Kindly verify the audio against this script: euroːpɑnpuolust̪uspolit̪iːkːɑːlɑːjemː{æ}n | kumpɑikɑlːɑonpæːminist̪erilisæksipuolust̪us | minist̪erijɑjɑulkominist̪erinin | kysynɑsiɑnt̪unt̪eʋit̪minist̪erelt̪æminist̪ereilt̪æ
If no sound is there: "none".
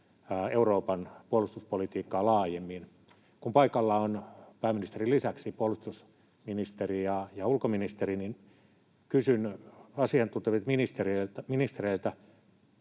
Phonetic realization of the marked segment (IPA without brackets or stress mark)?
i